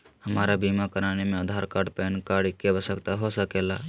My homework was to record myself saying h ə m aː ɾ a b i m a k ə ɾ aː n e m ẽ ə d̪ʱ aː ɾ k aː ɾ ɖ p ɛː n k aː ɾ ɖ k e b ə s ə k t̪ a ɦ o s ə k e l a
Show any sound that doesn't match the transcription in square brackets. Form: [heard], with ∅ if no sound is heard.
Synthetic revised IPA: h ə m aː ɾ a b i m a k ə ɾ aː n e m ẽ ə d̪ʱ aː ɾ k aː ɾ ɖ p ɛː n k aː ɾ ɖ k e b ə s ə k t̪ a ɦ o s ə k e l a